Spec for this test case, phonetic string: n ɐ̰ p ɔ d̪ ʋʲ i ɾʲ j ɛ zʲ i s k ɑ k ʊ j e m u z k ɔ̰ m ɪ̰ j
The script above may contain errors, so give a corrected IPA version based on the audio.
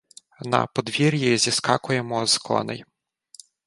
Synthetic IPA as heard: n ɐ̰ p ɔ d̪ ʋʲ i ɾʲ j i zʲ i s k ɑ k ʊ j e m ɔ z k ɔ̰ n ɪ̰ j